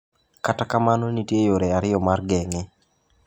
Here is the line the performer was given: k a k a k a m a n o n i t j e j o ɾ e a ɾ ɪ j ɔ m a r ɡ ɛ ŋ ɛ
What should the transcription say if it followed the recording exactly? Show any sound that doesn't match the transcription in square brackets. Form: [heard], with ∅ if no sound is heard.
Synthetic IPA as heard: k a [t] a k a m a n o n i t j e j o ɾ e a ɾ ɪ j ɔ m a r ɡ ɛ ŋ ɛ